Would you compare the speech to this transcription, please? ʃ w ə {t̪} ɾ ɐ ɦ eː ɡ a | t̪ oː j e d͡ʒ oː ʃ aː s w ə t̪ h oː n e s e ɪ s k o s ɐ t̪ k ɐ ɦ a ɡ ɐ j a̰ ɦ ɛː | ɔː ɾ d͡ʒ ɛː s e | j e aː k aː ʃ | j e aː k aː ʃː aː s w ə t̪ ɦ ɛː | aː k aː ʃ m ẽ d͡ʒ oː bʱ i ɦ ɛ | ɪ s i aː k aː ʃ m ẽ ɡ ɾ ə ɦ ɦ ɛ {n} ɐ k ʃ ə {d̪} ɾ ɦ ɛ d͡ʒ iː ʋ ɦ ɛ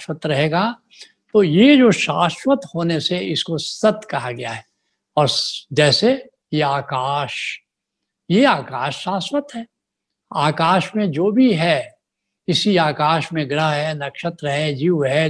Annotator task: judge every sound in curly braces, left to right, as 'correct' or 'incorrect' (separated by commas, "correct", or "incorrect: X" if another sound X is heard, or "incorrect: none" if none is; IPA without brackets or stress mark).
correct, correct, incorrect: t̪